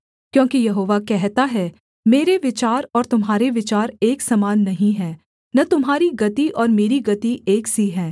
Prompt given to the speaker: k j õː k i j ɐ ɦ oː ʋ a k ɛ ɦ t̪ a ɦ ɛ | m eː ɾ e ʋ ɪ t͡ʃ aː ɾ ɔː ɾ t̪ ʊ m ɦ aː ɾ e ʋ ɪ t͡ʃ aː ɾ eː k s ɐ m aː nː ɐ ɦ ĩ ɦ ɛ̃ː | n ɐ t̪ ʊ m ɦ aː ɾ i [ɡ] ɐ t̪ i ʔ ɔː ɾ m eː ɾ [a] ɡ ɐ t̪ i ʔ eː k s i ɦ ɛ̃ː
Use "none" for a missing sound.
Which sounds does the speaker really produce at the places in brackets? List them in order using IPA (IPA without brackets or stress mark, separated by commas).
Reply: ɡ, i